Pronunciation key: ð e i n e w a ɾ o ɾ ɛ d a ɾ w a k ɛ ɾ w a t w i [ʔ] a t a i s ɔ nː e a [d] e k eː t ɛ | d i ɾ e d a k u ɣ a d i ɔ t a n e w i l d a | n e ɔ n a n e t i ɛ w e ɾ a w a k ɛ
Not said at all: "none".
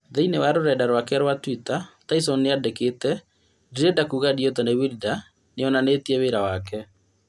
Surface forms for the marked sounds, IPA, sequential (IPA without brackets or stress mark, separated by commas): t, d